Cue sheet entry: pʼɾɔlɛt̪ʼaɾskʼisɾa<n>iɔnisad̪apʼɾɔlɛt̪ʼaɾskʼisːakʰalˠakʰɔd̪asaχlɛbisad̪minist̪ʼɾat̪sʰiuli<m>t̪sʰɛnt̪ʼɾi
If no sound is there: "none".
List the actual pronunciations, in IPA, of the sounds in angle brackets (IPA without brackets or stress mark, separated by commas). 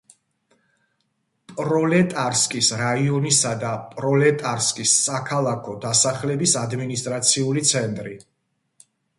none, none